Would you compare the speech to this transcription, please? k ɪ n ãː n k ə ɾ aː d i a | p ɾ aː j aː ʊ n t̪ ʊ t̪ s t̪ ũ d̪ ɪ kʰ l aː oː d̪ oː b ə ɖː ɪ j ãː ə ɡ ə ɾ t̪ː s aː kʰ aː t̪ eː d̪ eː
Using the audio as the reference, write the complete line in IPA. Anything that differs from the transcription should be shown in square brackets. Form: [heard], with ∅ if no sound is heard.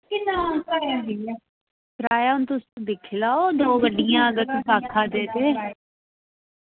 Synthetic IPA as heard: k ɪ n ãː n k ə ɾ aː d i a | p ɾ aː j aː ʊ n t̪ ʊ [∅] s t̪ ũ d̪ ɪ kʰ l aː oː d̪ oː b ə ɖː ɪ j ãː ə ɡ ə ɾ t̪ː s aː kʰ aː [d̪] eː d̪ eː